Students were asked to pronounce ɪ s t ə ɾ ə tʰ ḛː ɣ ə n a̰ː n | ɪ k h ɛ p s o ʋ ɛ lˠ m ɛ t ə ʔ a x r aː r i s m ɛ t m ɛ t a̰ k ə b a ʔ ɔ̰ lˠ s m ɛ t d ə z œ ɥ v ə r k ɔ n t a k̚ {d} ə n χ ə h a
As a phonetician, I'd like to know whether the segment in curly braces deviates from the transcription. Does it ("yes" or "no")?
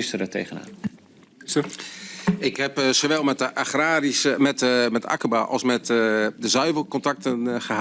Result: yes